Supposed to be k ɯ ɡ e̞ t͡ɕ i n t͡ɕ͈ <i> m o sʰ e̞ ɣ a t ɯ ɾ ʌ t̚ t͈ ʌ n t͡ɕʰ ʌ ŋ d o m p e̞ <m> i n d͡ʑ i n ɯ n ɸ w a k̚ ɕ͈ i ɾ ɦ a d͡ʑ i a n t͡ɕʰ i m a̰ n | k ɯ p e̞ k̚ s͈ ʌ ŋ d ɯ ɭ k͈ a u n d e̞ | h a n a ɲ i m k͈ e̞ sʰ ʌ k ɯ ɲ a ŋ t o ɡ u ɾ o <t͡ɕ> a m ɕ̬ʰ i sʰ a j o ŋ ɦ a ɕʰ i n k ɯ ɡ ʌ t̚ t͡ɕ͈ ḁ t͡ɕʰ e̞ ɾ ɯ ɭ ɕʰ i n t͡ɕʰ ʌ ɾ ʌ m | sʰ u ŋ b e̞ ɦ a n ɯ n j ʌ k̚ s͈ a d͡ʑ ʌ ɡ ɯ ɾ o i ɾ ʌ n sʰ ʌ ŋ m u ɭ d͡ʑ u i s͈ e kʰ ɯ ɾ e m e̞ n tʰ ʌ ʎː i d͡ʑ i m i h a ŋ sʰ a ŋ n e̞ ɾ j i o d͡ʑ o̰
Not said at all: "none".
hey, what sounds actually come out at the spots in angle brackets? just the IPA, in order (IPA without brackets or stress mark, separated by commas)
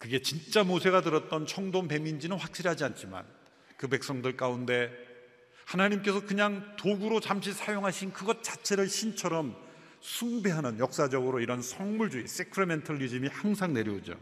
a, m, t͡ɕ